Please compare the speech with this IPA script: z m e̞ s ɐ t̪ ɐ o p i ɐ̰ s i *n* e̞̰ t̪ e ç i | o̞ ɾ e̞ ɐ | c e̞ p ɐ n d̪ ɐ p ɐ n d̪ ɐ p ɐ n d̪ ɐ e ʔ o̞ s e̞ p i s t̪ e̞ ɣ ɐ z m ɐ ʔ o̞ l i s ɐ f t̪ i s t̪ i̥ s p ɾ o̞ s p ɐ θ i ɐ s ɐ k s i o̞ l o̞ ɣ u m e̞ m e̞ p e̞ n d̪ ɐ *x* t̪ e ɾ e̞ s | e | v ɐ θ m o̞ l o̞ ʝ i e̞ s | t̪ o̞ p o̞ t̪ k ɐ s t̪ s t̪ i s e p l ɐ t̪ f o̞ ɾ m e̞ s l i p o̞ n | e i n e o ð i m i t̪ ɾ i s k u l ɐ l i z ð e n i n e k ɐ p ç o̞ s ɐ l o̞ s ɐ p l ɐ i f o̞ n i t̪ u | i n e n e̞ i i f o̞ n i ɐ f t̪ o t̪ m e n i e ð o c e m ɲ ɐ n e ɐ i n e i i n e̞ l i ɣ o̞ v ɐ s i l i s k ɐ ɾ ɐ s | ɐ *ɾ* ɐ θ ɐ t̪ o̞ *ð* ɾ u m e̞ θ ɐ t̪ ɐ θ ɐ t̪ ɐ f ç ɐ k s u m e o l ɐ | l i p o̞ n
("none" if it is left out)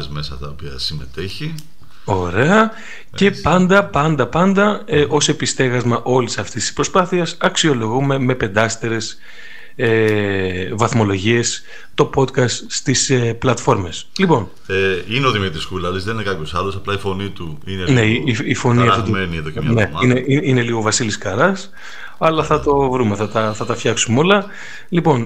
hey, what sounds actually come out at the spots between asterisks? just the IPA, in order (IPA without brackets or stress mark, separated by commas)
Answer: m, s, l, v